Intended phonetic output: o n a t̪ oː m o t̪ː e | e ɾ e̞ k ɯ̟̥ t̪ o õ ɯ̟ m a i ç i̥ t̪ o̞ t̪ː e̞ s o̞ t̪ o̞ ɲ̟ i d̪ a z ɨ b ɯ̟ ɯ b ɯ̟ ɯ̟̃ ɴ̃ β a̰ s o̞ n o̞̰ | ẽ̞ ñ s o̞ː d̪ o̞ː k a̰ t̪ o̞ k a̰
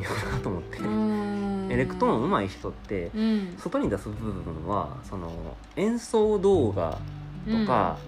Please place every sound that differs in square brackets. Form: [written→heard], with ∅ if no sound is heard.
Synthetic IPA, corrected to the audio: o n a t̪ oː m o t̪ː e | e ɾ e̞ k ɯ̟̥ t̪ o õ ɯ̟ m a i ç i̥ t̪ o̞ t̪ː e̞ s o̞ t̪ o̞ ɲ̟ i d̪ a [z→s] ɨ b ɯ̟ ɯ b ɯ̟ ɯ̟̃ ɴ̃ β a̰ s o̞ n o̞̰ | ẽ̞ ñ s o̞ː d̪ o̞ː [k→ɡ] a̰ t̪ o̞ k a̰